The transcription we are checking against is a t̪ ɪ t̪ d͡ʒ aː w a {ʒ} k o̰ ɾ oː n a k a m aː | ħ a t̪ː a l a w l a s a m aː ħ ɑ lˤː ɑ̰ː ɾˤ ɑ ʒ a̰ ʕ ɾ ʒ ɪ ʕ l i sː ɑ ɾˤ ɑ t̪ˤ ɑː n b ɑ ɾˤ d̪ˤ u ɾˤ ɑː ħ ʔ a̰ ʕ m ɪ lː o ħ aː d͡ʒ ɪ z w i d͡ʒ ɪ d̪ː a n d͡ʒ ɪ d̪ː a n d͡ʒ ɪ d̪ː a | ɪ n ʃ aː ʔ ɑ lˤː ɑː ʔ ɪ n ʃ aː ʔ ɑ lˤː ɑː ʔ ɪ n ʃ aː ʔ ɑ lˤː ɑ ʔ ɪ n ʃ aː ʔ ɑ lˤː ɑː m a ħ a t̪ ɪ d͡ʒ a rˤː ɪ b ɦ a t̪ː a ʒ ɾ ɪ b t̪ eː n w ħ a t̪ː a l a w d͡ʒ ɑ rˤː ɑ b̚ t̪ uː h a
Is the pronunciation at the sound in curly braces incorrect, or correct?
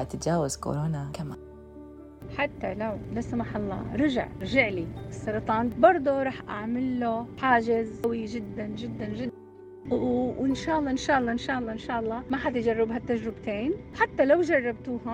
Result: incorrect